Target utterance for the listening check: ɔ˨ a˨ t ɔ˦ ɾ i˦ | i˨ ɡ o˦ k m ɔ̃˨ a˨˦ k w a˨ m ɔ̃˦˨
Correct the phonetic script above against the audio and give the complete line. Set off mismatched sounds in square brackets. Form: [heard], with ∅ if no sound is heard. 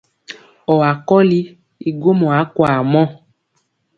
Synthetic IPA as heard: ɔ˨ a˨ [k] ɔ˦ [l] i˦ | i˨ ɡ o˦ [∅] m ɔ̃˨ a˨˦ k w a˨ m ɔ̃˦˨